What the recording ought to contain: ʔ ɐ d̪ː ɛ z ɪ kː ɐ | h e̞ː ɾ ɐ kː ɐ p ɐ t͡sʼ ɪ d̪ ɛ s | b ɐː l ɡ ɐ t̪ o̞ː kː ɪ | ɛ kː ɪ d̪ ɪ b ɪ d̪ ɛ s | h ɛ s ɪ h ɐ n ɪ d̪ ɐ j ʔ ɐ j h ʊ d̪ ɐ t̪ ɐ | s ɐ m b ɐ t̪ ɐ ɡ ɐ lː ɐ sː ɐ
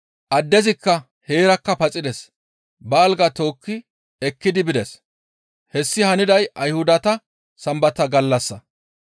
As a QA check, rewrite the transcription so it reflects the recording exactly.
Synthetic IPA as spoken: ʔ ɐ d̪ː ɛ z ɪ kː ɐ | h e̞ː ɾ ɐ kː ɐ p ɐ t͡sʼ ɪ d̪ ɛ s | b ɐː l ɡ ɐ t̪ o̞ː kː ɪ | ɛ kː ɪ d̪ ɪ b ɪ d̪ ɛ s | h ɛ sː ɪ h ɐ n ɪ d̪ ɐ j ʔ ɐ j h ʊ d̪ ɐ t̪ ɐ | s ɐ m b ɐ t̪ ɐ ɡ ɐ lː ɐ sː ɐ